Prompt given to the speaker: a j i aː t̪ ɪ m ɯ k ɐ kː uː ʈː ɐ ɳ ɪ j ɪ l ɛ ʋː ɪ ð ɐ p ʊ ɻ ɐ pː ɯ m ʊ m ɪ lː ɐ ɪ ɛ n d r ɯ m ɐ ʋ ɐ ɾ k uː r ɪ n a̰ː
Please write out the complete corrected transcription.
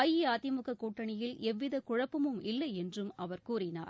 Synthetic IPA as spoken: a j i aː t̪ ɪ m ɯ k ɐ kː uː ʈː ɐ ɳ ɪ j ɪ l ɛ ʋː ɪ ð ɐ k ʊ ɻ ɐ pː ɯ m ɯ m ɪ lː ɐ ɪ ɛ n d r ɯ m ɐ ʋ ɐ ɾ k uː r ɪ n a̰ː